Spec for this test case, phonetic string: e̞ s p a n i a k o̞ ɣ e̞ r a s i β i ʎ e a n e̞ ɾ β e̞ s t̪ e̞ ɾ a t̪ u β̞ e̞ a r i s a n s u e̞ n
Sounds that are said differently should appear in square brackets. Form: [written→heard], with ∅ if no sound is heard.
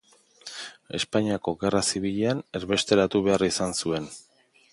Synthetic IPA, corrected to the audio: e̞ s p a [n→ɲ] i a k o̞ ɣ e̞ r a s i β i ʎ e a n e̞ ɾ β e̞ s t̪ e̞ ɾ a t̪ u β̞ e̞ a r i s a n s u e̞ n